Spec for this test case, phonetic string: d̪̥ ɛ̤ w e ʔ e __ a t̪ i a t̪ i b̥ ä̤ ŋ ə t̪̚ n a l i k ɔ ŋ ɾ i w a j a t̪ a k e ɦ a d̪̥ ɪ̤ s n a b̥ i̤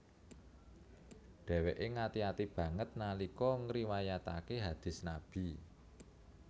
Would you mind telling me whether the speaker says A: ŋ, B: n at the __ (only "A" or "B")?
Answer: A